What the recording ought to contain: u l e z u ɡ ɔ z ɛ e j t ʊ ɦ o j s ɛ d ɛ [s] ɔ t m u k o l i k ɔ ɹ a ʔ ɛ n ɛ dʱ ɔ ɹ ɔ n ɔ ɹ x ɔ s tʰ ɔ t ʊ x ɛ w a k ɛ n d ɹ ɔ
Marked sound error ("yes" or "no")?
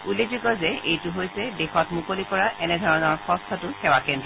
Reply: yes